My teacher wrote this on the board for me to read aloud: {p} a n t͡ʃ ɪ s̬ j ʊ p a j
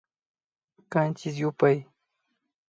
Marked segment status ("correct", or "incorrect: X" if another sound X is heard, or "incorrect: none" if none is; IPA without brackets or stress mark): incorrect: k